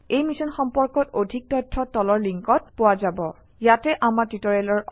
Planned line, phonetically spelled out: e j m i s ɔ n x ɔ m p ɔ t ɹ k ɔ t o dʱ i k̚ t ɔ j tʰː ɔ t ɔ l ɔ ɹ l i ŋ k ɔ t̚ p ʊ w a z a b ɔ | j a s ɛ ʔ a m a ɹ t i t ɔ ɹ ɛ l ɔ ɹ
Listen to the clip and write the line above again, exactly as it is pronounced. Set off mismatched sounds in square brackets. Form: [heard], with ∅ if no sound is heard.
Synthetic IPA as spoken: e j m i s ɔ n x ɔ m p ɔ [∅] ɹ k ɔ t o dʱ i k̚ t ɔ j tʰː ɔ t ɔ l ɔ ɹ l i ŋ k ɔ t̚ p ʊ w a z a b ɔ | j a [t] ɛ ʔ a m a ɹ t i t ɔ ɹ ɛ l ɔ ɹ